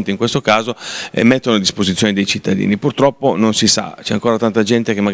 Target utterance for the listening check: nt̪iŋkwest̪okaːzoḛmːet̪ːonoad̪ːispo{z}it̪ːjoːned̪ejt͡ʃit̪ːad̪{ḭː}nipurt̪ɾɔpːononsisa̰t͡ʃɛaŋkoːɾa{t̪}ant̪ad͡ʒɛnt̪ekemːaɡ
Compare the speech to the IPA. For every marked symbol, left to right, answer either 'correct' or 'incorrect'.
correct, correct, correct

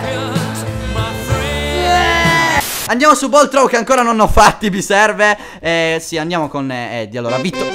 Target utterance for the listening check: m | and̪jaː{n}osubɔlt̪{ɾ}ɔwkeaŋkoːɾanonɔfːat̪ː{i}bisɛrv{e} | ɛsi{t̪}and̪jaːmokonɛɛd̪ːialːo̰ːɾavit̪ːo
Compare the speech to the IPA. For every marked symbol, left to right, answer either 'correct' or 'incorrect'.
incorrect, correct, correct, correct, incorrect

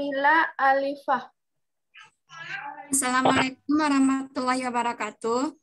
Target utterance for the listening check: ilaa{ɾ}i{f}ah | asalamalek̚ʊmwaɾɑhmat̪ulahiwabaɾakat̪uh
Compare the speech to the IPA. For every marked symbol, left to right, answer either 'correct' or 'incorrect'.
incorrect, correct

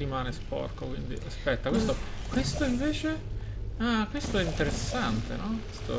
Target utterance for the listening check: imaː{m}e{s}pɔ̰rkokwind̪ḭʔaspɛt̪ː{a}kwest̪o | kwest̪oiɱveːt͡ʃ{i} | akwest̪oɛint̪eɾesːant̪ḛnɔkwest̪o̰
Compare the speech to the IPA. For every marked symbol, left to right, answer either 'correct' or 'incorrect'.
incorrect, correct, correct, incorrect

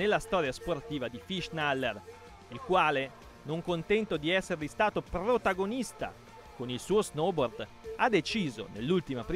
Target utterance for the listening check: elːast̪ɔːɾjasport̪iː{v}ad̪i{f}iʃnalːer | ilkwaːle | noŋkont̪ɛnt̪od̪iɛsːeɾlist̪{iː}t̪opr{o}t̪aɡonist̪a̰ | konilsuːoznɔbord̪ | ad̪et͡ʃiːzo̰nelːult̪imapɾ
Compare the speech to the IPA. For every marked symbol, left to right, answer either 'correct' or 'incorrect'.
correct, correct, incorrect, correct

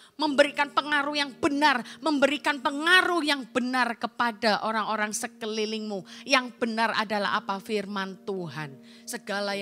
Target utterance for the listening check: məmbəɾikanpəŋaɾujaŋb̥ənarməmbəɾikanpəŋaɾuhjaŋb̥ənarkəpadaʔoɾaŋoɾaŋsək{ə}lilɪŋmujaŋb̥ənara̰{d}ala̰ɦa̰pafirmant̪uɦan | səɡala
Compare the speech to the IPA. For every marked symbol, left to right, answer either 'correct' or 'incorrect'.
correct, correct

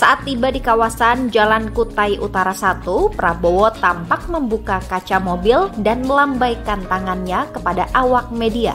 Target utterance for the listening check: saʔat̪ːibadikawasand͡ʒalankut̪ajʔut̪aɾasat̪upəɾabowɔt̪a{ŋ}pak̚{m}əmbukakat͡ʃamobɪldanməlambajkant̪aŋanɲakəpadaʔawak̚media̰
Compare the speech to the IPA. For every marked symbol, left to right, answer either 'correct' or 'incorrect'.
incorrect, correct

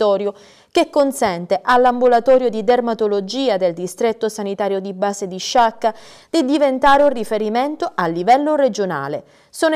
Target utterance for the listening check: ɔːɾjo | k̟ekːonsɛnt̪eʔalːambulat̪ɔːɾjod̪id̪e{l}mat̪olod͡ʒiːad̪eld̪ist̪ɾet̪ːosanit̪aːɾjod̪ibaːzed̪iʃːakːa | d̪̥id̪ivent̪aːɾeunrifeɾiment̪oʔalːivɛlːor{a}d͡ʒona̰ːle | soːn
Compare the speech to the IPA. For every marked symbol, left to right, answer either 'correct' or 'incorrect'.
incorrect, incorrect

